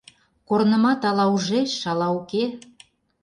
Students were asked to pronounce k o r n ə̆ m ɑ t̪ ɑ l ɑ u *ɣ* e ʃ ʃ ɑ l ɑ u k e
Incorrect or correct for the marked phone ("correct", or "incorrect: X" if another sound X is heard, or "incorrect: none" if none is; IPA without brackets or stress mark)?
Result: incorrect: ʒ